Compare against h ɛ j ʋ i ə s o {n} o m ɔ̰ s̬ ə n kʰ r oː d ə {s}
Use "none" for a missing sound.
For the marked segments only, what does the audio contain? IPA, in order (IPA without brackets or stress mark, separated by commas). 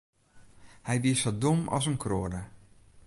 d, none